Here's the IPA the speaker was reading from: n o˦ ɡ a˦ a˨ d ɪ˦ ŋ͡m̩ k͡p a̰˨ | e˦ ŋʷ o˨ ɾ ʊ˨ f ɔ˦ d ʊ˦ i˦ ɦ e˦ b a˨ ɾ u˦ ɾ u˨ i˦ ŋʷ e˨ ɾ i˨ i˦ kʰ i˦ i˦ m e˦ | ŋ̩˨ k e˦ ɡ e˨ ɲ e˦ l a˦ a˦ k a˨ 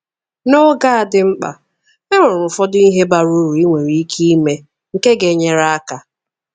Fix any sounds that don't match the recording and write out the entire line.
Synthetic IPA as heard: n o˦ ɡ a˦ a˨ d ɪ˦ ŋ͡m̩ k͡p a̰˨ | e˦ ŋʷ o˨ ɾ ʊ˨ f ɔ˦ d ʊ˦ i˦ ɦ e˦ b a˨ ɾ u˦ ɾ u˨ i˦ ŋʷ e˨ ɾ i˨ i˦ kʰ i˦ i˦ m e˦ | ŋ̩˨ k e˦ ɡ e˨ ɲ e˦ ɾ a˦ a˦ k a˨

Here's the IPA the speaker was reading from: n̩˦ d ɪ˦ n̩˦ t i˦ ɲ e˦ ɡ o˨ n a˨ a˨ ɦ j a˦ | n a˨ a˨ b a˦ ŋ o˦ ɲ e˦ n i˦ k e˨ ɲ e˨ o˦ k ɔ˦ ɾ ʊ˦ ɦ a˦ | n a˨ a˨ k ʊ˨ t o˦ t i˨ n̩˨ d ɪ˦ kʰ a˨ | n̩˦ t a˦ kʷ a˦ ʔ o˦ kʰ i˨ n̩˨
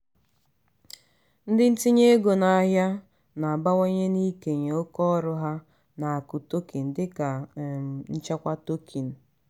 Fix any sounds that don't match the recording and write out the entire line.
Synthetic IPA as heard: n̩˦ d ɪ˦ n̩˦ t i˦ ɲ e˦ ɡ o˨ n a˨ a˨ ɦ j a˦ | n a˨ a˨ b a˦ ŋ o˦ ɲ e˦ n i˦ k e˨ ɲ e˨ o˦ k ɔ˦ ɾ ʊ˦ ɦ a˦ | n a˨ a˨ k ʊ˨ t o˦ k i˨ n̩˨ d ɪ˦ k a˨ | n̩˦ t͡ʃ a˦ kʷ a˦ t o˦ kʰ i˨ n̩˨

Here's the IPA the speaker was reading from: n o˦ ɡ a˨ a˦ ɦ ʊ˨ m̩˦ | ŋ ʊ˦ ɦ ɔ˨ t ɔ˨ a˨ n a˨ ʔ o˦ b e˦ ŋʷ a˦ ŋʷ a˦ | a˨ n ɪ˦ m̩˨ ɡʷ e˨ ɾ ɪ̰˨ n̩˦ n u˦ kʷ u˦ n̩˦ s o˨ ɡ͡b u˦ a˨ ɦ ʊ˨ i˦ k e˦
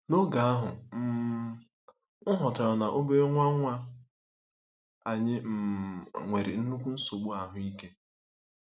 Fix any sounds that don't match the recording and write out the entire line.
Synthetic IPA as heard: n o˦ ɡ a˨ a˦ ɦ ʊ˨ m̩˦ | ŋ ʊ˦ ɦ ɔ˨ t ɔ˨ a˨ n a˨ ʔ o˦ b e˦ ŋʷ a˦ ŋʷ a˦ | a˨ ɲ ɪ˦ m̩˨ ŋʷ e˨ ɾ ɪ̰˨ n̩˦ n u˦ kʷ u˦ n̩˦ s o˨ ɡ͡b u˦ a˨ ɦ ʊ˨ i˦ k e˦

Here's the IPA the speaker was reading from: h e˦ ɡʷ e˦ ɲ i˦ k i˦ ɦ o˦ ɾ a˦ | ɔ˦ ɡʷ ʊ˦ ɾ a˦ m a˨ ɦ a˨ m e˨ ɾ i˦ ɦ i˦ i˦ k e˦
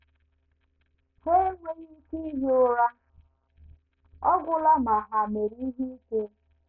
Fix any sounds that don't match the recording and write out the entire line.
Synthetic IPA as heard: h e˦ ŋʷ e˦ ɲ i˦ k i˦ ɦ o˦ ɾ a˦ | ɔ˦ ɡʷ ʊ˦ l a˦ m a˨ ɦ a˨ m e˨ ɾ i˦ ɦ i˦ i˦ k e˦

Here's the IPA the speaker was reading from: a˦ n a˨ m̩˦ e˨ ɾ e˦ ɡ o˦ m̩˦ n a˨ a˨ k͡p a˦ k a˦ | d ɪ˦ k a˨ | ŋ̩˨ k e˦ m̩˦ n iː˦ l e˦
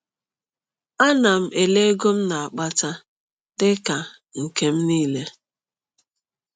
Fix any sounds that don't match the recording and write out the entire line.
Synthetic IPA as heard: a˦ n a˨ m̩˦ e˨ l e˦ ɡ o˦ m̩˦ n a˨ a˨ k͡p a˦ t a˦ | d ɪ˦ k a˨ | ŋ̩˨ k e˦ m̩˦ n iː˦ l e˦

